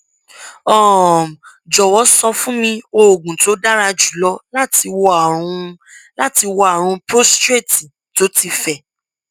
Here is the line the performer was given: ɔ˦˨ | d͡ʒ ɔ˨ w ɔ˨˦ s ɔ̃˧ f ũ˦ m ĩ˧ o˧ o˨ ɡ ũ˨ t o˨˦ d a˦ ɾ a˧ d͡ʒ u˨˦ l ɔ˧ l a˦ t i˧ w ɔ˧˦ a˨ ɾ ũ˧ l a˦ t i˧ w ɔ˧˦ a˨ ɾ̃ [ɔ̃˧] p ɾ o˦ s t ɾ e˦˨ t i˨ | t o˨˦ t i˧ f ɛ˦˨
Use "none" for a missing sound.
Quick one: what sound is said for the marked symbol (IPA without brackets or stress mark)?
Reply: ũ˧